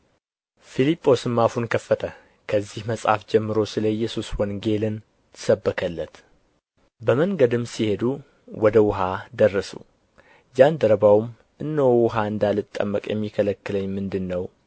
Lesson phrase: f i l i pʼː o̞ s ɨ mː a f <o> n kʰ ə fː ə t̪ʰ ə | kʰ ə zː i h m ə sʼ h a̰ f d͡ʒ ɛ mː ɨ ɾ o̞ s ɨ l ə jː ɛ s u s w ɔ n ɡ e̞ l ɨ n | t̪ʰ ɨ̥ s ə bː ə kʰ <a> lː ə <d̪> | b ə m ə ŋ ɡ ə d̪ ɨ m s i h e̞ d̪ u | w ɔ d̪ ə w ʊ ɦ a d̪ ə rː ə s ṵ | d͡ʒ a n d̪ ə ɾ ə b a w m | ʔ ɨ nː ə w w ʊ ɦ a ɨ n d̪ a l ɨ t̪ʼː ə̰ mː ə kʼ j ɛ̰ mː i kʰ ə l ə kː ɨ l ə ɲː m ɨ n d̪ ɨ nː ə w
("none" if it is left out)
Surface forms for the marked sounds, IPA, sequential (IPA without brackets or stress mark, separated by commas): u, ə, t̪